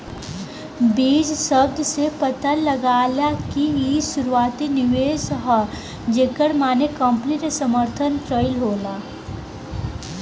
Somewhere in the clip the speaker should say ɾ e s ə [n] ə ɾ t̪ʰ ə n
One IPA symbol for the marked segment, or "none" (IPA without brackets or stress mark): m